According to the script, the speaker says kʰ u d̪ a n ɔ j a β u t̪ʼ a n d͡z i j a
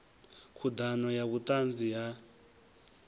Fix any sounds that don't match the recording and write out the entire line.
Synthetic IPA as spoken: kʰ u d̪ a n ɔ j a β u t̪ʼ a n d͡z i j a